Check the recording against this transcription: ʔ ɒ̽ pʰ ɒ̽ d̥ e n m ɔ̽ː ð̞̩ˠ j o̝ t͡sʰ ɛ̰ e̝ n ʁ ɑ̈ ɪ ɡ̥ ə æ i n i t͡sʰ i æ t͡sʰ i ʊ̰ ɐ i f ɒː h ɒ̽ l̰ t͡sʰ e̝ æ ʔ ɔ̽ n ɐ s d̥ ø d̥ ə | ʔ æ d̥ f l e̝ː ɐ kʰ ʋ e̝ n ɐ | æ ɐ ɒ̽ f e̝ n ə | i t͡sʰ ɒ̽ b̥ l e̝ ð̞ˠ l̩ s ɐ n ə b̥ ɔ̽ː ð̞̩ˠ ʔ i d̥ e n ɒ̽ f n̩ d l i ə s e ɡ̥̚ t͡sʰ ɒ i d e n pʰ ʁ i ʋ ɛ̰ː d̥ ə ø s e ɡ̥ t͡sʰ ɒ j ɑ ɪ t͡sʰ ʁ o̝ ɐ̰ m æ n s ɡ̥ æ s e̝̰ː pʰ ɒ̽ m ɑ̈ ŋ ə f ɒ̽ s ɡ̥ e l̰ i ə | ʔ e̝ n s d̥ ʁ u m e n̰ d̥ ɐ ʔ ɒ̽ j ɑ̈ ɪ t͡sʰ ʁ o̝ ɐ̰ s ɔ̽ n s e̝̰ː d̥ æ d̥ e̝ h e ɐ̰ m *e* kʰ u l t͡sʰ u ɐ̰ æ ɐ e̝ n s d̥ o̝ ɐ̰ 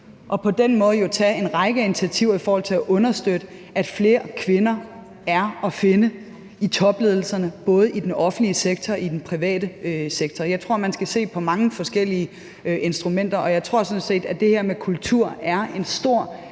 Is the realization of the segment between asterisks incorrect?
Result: no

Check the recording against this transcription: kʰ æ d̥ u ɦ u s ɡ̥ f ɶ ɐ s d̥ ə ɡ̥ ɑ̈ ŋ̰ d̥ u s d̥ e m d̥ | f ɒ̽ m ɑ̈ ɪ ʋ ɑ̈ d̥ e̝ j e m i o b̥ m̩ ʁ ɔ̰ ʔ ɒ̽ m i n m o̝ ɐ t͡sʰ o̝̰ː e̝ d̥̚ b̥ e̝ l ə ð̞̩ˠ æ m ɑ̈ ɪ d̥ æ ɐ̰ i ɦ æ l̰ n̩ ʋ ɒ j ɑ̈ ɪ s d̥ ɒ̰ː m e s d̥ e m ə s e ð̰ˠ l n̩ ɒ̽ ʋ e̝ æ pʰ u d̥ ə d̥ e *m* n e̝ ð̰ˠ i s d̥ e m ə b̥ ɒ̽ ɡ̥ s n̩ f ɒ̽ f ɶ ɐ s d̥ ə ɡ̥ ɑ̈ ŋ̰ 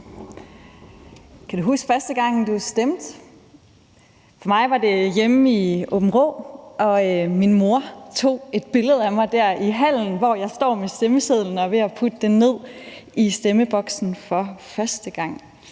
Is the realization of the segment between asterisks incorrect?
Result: yes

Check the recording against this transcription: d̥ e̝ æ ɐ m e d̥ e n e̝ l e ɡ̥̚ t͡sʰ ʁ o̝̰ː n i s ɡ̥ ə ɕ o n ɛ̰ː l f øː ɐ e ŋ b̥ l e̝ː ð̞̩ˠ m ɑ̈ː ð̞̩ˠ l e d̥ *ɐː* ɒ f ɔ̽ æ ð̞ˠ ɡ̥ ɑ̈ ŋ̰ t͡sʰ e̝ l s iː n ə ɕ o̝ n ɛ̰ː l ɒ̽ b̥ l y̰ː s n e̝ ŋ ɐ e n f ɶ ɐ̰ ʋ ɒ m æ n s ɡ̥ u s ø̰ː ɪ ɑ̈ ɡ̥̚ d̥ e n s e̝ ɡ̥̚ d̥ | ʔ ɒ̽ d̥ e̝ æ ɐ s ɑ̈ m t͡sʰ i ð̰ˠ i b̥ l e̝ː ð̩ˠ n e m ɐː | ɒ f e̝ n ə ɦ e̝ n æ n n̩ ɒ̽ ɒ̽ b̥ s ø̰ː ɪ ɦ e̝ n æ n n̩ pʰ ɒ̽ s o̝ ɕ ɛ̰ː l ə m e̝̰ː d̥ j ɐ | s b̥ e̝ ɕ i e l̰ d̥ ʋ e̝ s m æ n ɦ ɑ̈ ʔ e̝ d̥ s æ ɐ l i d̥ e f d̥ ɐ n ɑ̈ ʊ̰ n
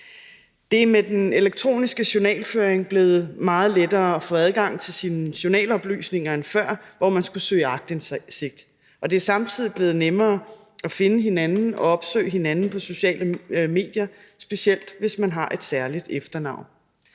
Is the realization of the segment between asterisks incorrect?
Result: no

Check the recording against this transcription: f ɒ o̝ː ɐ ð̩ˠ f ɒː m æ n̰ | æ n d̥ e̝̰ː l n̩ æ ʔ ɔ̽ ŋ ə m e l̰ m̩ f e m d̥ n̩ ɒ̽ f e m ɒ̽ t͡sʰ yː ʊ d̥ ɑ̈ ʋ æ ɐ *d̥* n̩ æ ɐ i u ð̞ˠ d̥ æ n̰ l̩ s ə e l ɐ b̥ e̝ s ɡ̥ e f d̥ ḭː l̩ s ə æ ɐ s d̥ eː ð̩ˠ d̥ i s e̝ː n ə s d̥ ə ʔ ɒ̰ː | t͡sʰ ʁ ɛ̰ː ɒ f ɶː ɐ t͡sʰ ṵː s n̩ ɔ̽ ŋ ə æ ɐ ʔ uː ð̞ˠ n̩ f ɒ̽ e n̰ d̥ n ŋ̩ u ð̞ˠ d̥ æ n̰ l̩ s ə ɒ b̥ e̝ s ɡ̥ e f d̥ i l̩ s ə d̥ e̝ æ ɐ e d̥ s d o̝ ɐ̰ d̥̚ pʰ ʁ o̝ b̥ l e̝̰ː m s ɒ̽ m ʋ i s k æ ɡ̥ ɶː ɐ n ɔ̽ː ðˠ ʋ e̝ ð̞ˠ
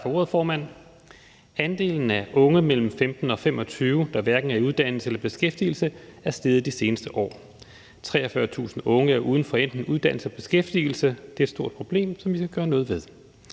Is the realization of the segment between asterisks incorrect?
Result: yes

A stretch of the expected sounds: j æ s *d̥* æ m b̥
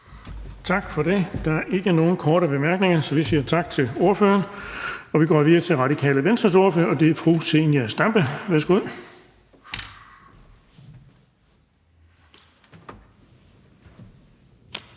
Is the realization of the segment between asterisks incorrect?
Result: no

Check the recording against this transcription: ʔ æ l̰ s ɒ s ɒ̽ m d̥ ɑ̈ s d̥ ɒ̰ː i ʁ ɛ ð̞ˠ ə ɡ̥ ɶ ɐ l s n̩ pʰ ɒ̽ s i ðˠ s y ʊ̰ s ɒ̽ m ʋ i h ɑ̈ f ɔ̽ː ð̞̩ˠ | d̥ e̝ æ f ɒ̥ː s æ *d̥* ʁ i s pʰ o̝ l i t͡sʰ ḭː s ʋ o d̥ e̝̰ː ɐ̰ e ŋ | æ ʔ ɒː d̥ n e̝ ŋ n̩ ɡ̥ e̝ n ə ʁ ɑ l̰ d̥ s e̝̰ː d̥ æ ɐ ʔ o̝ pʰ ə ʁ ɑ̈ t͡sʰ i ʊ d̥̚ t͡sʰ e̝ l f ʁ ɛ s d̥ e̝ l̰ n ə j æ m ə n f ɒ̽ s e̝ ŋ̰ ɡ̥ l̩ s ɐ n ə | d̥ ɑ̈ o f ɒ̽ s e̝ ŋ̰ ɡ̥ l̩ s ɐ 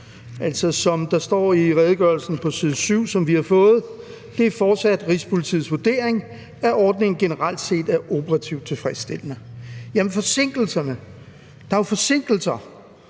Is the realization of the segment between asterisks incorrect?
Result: no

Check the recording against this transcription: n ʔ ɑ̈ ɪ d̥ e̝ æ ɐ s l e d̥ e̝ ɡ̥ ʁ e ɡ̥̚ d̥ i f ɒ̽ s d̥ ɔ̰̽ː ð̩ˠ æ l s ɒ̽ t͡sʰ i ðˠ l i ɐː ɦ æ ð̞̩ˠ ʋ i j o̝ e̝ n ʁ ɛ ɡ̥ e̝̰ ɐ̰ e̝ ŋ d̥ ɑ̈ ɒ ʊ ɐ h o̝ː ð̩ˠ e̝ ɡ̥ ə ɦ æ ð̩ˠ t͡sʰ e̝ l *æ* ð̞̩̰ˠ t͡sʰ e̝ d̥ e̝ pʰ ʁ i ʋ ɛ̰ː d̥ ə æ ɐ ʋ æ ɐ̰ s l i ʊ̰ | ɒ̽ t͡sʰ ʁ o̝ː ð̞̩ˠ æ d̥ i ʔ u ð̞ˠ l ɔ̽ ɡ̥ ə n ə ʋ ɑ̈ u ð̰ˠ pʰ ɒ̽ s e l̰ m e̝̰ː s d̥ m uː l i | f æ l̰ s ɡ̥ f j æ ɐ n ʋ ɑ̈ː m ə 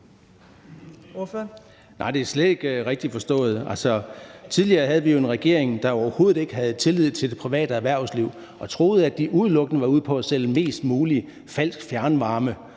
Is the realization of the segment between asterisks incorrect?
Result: yes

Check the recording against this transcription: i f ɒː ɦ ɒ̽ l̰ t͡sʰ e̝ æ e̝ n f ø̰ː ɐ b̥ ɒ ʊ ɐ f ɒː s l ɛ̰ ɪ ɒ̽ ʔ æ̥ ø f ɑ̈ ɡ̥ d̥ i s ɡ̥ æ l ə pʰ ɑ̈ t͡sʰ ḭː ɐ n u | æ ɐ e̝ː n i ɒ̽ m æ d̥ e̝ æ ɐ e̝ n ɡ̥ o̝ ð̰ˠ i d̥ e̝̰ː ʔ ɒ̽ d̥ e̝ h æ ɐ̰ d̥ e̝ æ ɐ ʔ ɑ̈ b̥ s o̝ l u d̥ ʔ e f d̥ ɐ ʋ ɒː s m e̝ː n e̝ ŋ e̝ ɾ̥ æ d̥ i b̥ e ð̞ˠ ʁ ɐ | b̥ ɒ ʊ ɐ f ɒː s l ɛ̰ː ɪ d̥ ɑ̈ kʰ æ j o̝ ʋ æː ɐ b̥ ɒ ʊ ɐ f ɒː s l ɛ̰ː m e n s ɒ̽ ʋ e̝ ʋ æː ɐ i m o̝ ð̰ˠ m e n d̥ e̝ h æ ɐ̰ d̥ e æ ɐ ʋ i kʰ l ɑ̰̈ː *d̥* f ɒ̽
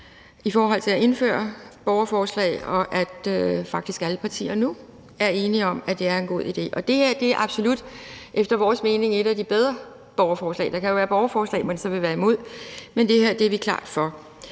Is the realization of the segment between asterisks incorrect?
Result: no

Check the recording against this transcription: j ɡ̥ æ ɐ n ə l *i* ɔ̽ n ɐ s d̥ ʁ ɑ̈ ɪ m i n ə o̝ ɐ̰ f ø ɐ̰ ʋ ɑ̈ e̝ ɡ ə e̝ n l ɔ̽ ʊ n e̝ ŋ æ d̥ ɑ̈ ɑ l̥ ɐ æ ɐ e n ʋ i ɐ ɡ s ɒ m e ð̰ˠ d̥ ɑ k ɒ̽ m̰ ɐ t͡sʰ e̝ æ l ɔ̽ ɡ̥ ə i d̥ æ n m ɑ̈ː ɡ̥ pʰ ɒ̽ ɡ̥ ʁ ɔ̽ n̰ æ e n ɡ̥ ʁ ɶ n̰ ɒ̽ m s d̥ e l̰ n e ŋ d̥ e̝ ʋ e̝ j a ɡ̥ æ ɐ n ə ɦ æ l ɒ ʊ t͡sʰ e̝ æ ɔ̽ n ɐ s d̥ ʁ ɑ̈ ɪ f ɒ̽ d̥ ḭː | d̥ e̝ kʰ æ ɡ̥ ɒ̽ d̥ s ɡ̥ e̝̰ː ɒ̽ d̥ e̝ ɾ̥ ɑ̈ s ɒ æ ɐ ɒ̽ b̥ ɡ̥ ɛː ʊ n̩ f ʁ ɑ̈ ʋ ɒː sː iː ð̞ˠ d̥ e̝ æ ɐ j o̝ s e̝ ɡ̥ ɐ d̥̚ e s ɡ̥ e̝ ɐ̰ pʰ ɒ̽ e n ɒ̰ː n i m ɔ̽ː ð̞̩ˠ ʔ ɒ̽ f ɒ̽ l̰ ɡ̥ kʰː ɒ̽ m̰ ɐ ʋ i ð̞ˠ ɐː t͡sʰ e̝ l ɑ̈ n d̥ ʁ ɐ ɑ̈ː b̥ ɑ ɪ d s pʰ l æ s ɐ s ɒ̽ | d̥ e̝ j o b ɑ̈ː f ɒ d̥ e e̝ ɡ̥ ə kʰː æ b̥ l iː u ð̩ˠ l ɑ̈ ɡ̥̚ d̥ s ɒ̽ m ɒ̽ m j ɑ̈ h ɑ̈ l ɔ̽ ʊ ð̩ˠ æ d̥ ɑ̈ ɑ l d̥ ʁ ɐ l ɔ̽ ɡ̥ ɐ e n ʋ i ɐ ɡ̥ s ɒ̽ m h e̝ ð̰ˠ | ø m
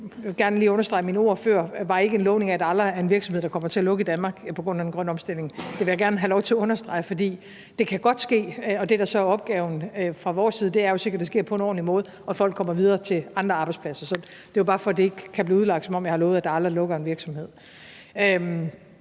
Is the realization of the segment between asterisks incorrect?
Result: yes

